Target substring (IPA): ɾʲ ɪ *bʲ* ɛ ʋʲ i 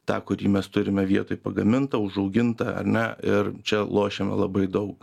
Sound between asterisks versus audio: incorrect: mʲ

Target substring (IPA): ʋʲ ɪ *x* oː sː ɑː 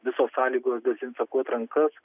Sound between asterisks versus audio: incorrect: s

